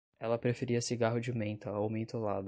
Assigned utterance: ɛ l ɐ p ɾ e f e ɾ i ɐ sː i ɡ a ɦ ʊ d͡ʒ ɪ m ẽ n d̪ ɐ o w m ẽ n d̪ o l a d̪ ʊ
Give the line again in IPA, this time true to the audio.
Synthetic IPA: ɛ l ɐ p ɾ e f e ɾ i ɐ s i ɡ a ɦ ʊ d͡ʒ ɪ m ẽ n t̪ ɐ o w m ẽ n t̪ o l a d̪ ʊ